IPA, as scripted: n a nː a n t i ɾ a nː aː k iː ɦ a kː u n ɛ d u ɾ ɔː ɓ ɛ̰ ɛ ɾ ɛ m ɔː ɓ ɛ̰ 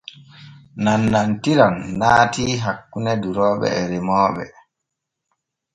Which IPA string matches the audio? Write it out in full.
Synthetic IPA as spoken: n a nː a n t i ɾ a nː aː t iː ɦ a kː u n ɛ d u ɾ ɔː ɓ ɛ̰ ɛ ɾ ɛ m ɔː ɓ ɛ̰